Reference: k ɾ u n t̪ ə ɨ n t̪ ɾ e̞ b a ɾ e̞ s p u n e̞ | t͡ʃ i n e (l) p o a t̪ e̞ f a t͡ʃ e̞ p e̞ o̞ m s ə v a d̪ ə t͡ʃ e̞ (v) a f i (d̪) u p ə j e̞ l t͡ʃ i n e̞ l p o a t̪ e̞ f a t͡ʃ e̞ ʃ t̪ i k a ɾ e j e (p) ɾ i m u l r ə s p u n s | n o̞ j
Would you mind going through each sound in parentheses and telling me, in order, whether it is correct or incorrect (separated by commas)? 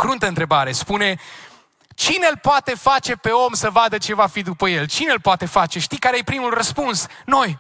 correct, correct, correct, correct